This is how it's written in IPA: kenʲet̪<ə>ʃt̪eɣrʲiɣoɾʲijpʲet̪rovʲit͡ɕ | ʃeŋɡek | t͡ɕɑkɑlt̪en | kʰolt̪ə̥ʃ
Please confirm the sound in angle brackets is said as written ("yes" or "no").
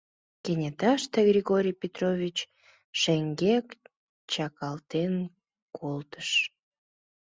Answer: no